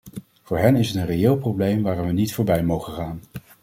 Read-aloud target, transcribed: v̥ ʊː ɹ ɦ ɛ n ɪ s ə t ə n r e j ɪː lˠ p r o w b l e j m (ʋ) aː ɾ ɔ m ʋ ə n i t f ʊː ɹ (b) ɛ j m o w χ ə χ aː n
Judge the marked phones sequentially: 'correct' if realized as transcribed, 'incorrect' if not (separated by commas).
correct, correct